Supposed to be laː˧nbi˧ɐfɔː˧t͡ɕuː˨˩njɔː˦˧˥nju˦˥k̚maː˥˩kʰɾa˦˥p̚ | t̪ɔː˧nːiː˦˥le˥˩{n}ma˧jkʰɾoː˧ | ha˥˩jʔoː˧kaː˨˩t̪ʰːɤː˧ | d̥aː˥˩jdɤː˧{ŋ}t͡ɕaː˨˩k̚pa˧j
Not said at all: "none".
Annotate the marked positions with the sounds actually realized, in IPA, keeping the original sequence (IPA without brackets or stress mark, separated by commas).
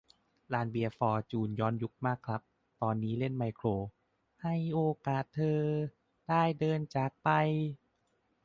n, n